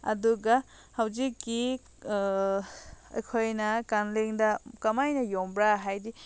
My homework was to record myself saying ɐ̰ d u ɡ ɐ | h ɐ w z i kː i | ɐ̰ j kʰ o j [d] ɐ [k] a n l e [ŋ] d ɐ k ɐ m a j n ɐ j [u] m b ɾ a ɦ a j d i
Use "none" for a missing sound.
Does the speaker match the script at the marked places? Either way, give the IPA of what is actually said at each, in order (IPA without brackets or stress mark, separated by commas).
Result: n, k, ŋ, o